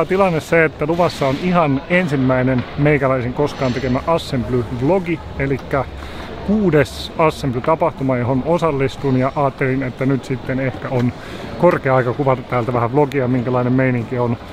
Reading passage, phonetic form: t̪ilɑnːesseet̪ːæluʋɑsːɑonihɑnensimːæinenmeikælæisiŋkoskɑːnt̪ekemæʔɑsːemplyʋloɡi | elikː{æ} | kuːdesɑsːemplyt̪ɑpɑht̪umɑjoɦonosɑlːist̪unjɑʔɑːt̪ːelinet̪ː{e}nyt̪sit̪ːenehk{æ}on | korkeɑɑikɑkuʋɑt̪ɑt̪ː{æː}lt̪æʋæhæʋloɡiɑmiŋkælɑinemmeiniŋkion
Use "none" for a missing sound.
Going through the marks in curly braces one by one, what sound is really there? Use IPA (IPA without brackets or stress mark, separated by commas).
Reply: æ, æ, æ, æː